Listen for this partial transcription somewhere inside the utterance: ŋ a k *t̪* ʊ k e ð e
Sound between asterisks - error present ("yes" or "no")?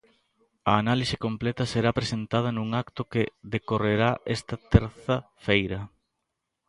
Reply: no